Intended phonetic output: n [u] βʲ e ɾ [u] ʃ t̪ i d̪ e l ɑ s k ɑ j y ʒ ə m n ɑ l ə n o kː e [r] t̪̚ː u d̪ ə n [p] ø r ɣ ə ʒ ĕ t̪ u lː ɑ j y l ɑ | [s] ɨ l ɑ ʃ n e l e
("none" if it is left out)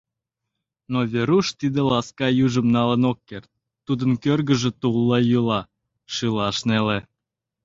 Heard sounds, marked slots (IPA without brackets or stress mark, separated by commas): o, u, r, k, ʃ